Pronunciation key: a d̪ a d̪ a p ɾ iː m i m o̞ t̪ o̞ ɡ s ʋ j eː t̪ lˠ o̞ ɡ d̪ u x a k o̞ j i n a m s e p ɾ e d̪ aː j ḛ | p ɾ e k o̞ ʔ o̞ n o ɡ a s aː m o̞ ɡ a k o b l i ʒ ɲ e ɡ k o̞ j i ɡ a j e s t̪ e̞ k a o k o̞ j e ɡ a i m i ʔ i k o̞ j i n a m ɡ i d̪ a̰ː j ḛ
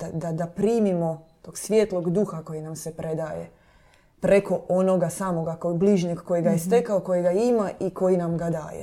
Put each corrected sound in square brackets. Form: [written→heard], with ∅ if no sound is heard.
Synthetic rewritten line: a d̪ a d̪ a p ɾ iː m i m o̞ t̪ o̞ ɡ s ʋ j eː t̪ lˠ o̞ ɡ d̪ u x a k o̞ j i n a m s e p ɾ e d̪ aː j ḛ | p ɾ e k o̞ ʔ o̞ n o ɡ a s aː m o̞ ɡ a k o b l i ʒ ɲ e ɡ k o̞ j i ɡ a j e s t̪ e̞ k a o k o̞ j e ɡ a i m [i→a] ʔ i k o̞ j i n a m ɡ [i→a] d̪ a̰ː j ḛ